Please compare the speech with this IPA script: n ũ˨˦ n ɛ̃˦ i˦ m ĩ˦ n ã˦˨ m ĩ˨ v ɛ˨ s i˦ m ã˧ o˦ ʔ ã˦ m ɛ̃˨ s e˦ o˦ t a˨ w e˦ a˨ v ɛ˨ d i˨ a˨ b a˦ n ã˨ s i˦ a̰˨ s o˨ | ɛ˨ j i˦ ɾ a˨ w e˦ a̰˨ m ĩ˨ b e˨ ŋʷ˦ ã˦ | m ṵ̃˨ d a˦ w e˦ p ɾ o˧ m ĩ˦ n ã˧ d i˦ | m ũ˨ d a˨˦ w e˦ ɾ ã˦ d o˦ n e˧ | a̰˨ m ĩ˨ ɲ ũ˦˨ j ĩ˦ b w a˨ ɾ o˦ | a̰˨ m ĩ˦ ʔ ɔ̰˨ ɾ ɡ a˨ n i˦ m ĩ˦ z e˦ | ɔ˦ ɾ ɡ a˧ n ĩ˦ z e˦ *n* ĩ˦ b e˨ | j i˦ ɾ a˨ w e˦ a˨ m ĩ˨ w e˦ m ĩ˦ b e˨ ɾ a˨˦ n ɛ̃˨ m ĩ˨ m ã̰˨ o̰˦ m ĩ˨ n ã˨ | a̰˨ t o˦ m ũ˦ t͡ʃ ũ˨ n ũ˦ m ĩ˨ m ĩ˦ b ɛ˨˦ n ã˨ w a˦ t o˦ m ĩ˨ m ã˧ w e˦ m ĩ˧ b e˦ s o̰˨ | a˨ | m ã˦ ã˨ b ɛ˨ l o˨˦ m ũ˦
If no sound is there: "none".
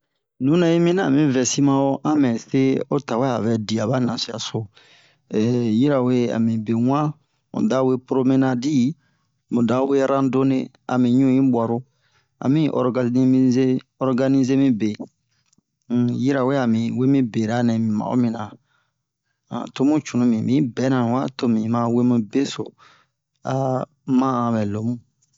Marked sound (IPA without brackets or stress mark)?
m